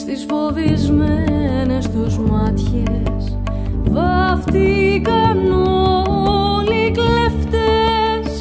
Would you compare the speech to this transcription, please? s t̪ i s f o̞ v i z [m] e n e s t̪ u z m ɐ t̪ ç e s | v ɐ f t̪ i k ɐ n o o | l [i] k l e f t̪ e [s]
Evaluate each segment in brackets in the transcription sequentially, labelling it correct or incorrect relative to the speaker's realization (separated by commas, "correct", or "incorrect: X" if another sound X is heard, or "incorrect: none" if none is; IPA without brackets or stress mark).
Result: correct, correct, correct